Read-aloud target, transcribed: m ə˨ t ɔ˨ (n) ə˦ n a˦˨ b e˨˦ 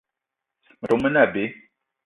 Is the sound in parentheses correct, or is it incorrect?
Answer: incorrect